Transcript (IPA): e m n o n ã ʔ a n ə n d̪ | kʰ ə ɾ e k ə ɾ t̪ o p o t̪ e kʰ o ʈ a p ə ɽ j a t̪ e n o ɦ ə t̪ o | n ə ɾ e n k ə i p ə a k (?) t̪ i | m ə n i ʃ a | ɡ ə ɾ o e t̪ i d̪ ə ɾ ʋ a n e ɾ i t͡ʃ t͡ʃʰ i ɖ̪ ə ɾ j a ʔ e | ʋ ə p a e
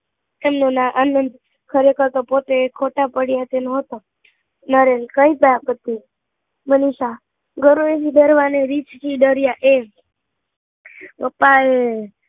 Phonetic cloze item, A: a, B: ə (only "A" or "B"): B